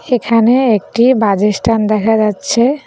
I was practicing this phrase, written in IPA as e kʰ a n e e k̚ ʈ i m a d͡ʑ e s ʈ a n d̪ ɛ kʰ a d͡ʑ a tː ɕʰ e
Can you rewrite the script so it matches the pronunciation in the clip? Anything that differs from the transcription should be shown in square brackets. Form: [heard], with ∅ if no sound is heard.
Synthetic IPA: e kʰ a n e e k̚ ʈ i [b] a d͡ʑ e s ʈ a n d̪ ɛ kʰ a d͡ʑ a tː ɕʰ e

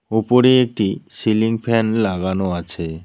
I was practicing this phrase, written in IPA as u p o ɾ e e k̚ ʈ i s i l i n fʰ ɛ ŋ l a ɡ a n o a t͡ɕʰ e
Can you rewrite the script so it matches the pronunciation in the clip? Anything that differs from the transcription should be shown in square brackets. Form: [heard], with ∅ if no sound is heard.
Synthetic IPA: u p o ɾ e e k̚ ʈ i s i l i [ŋ] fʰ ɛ [n] l a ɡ a n o a t͡ɕʰ e

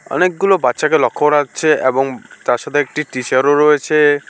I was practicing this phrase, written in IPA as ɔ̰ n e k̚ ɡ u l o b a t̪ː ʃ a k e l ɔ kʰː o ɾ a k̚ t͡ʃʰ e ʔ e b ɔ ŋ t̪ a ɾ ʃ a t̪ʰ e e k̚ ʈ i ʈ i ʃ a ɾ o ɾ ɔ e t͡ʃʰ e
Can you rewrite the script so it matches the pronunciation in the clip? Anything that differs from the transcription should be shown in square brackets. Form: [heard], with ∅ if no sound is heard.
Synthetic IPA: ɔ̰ n e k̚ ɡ u l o b a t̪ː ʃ a k e l ɔ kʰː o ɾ a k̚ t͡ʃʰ e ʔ e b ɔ ŋ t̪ a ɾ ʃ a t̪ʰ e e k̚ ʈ i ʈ i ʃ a ɾ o ɾ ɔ e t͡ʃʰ e

